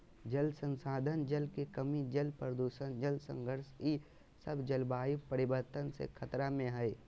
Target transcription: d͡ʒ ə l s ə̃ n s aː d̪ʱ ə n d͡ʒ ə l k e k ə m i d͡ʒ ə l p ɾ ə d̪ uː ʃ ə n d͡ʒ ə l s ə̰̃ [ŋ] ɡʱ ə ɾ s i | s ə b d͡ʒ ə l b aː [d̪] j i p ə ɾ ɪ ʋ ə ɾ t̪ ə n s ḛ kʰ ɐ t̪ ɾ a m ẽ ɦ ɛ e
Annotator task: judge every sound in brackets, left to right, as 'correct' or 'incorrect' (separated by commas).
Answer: correct, incorrect